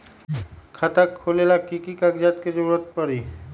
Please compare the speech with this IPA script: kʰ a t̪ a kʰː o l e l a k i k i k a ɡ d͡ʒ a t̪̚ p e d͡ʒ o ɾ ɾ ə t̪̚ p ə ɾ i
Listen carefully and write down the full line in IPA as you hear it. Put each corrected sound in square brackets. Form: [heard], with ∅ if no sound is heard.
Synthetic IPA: kʰ a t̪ a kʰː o l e l a k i k i k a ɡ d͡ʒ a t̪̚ [k] e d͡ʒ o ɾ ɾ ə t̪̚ p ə ɾ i